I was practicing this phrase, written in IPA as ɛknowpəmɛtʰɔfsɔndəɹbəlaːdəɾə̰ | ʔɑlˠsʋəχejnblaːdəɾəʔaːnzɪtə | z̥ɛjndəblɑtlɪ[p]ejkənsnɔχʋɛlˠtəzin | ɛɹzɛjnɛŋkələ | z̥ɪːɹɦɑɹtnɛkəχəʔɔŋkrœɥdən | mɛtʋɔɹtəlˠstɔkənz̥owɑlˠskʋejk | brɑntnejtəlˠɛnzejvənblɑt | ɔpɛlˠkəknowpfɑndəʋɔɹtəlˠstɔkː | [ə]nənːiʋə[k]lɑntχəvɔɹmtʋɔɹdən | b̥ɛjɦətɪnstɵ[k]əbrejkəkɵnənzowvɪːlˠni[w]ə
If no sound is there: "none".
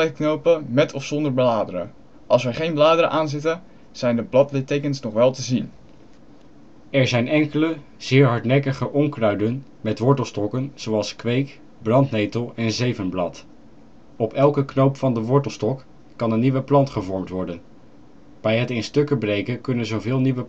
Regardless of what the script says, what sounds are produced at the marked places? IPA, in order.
t, ɑ, p, k, ʋ

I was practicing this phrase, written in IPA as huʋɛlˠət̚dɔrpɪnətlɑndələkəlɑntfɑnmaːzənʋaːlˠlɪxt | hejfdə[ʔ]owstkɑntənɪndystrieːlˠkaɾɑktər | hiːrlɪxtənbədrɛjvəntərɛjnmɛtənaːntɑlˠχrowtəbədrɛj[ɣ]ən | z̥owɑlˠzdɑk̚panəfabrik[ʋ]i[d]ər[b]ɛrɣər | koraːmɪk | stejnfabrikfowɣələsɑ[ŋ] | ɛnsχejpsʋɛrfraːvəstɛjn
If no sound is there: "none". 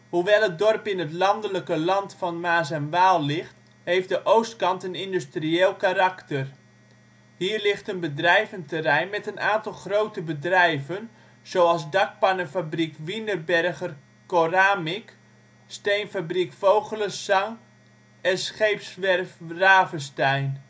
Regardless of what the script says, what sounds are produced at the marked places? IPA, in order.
ʔ, v, ʋ, n, b, ŋ

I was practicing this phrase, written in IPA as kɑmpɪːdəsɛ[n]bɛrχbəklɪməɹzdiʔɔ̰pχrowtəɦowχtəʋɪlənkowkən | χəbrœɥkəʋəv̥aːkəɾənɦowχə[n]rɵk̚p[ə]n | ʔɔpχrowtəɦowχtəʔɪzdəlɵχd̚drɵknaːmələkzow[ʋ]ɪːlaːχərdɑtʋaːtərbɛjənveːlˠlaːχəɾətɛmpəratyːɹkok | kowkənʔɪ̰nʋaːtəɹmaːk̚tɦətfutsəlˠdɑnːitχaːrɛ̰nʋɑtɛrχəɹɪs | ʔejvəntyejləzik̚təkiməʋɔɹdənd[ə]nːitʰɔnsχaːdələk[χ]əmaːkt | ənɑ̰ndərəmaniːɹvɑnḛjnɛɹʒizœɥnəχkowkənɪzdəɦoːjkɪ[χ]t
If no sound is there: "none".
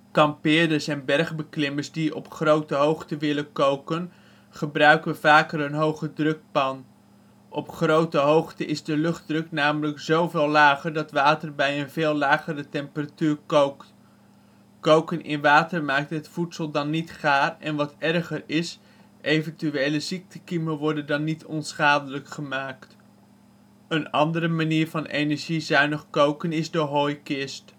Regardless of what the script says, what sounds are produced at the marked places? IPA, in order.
n, d, ɑ, v, ɑ, χ, s

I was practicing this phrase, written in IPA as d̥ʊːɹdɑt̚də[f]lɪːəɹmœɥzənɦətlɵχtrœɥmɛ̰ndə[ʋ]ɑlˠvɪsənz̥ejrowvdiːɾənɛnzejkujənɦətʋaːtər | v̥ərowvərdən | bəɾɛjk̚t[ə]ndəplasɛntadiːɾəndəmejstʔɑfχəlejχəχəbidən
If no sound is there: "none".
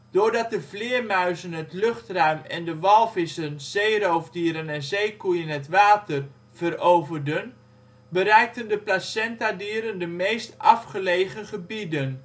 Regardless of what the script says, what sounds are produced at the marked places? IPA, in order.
v, ʋ, ə

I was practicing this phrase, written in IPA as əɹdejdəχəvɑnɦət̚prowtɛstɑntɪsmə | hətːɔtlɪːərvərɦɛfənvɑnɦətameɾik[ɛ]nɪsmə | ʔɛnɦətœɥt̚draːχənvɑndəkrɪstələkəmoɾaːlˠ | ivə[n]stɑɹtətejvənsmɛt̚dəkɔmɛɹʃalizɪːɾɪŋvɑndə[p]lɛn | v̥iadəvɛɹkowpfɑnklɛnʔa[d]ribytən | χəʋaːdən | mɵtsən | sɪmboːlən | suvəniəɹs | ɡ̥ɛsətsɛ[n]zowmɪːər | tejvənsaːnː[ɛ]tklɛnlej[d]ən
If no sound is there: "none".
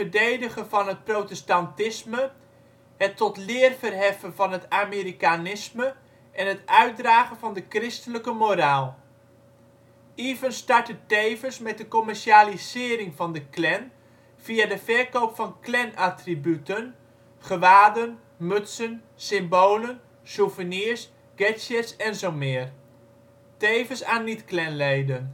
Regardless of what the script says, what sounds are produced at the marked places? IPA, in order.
a, n, k, t, n, i, d

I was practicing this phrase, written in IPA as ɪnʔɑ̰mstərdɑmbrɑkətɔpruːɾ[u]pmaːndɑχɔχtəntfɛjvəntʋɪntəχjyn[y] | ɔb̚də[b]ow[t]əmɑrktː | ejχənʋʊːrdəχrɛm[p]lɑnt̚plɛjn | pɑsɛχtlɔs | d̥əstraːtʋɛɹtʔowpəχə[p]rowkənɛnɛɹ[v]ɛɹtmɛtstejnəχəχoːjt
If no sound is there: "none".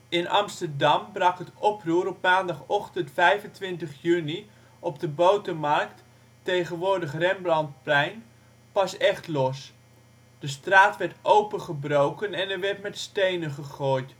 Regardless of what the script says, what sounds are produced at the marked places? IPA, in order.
ɔ, i, b, t, b, b, ʋ

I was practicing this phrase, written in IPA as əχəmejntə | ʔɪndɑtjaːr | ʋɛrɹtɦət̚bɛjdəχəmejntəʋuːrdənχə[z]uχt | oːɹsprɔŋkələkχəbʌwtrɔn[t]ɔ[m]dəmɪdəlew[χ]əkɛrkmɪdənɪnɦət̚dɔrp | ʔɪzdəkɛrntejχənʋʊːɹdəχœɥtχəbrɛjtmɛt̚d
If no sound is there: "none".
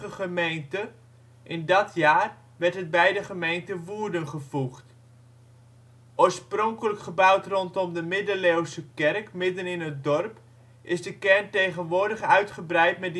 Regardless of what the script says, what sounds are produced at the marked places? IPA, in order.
v, t, m, s

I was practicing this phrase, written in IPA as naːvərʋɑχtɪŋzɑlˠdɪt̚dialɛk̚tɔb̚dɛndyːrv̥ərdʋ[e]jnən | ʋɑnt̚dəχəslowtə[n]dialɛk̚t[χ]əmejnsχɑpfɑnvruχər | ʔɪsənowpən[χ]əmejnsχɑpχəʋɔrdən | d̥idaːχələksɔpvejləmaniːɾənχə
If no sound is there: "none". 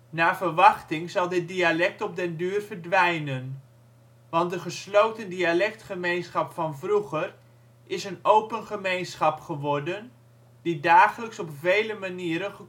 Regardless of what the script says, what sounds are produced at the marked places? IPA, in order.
ɛ, n, χ, χ

